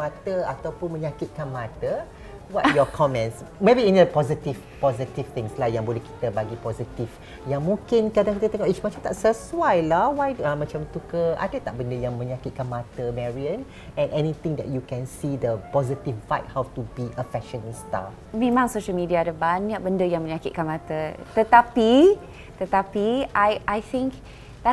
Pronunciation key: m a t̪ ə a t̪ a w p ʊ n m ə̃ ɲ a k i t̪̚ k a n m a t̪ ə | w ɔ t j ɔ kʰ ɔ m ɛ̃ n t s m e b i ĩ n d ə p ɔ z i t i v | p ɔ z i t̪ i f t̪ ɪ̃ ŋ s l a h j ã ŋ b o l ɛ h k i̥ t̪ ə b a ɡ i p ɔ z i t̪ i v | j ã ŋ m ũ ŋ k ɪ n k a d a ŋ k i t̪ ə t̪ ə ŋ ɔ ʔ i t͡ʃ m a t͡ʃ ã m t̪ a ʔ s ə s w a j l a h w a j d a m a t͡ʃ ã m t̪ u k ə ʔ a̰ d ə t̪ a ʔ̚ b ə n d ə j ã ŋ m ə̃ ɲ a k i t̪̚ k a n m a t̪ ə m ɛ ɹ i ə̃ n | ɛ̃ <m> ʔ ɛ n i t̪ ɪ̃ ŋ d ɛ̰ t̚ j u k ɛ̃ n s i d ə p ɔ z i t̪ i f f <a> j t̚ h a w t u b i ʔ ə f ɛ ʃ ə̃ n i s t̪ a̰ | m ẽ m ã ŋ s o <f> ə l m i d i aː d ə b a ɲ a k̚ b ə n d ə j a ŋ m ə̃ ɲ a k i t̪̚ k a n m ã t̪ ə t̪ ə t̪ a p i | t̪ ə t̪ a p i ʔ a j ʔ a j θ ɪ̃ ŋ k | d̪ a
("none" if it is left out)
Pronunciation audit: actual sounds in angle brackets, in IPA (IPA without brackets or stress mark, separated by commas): n, a, ʃ